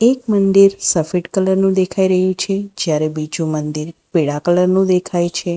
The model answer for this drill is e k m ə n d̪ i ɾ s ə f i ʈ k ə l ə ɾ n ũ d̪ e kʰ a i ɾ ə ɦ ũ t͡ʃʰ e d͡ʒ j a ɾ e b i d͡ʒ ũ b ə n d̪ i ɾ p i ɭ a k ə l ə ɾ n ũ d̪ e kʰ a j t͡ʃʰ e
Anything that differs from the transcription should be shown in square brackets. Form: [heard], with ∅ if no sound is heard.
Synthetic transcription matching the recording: e k m ə n d̪ i ɾ s ə f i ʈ k ə l ə ɾ n ũ d̪ e kʰ a i ɾ ə ɦ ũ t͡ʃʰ e d͡ʒ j a ɾ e b i d͡ʒ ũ [m] ə n d̪ i ɾ p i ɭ a k ə l ə ɾ n ũ d̪ e kʰ a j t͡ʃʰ e